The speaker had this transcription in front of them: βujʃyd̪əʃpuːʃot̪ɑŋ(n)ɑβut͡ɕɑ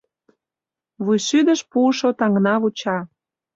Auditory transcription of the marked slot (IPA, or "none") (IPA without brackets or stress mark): n